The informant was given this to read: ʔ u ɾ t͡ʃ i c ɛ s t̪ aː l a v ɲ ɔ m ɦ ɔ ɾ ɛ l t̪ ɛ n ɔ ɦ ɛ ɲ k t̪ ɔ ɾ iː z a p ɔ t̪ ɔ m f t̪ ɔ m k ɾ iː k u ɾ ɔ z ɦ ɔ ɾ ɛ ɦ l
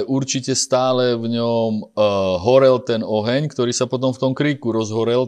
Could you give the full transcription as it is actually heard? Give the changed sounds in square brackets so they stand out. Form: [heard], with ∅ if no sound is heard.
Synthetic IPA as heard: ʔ u ɾ t͡ʃ i c ɛ s t̪ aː l [ɛ] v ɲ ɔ m ɦ ɔ ɾ ɛ l t̪ ɛ n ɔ ɦ ɛ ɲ k t̪ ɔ ɾ iː [s] a p ɔ t̪ ɔ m f t̪ ɔ m k ɾ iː k u ɾ ɔ z ɦ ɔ ɾ ɛ [∅] l